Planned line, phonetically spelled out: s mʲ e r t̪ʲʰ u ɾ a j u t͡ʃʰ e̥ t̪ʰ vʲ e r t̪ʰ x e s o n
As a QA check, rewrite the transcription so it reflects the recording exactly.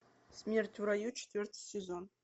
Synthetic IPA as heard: s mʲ e r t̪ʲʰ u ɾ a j u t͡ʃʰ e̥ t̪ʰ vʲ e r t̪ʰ s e z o n

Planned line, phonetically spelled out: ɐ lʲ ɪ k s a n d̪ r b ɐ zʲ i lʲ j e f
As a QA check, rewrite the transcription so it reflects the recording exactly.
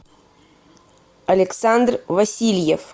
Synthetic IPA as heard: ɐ lʲ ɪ k s a n d̪ r v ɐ sʲ i lʲ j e f

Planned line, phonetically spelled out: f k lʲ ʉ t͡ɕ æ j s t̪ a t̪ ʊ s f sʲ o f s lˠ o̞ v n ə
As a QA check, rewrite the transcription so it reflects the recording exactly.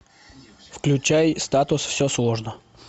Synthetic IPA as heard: f k lʲ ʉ t͡ɕ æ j s t̪ a t̪ ʊ s f sʲ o s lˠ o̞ ʐ n ə

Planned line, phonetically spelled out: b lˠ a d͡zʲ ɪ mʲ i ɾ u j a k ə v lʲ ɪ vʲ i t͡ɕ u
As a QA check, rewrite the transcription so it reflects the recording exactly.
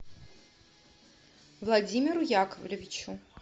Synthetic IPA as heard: v lˠ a d͡zʲ i mʲ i ɾ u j a k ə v lʲ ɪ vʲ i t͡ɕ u

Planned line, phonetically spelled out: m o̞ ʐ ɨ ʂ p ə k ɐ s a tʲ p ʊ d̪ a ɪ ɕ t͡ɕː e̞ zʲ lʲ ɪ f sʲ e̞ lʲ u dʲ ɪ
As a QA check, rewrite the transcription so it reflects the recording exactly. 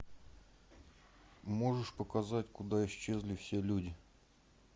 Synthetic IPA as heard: m o̞ ʐ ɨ ʂ p ə k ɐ z a tʲ k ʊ d̪ a ɪ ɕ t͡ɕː e̞ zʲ lʲ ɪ f sʲ e̞ lʲ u dʲ ɪ

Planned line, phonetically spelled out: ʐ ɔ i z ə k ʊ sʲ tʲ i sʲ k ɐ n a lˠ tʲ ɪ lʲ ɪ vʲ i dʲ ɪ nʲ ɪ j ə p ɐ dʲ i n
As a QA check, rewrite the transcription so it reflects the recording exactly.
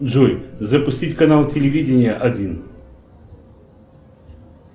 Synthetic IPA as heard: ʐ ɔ j z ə p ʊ sʲ tʲ i tʲ k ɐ n a lˠ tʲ ɪ lʲ ɪ vʲ i dʲ ɪ nʲ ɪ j ə ʔ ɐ dʲ i n

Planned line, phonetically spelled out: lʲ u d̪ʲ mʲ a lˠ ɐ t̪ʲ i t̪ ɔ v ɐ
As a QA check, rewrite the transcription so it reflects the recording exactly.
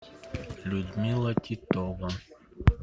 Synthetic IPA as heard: lʲ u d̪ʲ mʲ i lˠ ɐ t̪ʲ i t̪ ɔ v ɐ

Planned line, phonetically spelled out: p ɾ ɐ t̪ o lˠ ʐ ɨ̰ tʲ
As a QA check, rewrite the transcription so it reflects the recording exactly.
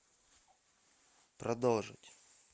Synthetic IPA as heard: p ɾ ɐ d̪ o lˠ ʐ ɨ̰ tʲ

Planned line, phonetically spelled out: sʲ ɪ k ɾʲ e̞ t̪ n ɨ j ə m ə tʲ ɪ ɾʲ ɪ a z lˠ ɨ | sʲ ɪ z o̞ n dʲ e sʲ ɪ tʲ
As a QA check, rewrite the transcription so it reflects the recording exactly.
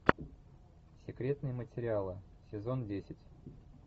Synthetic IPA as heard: sʲ ɪ k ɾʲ e̞ t̪ n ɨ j ə m ə tʲ ɪ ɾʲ ɪ a lˠ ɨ | sʲ ɪ z o̞ n dʲ e sʲ ɪ tʲ

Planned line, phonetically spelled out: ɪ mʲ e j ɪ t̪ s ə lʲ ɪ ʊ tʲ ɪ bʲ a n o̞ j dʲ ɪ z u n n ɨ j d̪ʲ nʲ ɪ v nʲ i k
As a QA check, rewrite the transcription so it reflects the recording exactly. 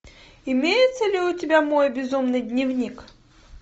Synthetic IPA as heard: ɪ mʲ e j ɪ t̪ s ə lʲ ɪ ʊ tʲ ɪ bʲ a m o̞ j bʲ ɪ z u m n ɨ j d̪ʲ nʲ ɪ v nʲ i k

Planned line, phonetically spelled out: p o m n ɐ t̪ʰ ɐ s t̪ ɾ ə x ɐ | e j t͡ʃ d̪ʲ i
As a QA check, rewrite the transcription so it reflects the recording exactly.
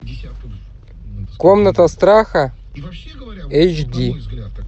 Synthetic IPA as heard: k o m n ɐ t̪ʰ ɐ s t̪ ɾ a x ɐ | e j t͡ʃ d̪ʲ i

